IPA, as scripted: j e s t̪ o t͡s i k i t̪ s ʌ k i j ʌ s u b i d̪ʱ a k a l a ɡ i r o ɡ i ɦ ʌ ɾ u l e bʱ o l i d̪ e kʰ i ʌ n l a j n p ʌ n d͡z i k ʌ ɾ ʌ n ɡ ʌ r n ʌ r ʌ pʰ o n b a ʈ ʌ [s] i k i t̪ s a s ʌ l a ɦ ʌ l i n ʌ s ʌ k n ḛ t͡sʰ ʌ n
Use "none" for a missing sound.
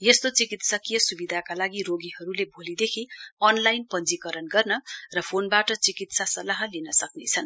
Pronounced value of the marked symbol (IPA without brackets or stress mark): t͡s